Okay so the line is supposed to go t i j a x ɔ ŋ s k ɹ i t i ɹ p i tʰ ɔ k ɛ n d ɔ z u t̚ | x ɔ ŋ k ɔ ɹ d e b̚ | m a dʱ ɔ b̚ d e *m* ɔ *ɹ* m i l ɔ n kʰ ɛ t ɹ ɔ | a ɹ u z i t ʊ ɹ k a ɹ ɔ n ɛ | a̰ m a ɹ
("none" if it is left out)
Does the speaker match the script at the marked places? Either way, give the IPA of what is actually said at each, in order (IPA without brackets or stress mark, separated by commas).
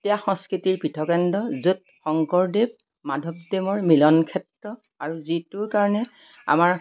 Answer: m, ɹ